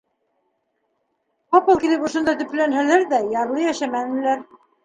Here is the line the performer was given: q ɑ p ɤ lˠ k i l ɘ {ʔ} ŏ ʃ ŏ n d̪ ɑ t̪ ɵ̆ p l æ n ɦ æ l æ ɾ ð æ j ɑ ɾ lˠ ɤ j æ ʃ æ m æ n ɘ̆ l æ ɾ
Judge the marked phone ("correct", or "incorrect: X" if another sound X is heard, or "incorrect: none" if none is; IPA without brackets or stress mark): incorrect: p